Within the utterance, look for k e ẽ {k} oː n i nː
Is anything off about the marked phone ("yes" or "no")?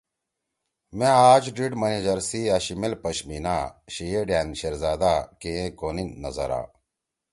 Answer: no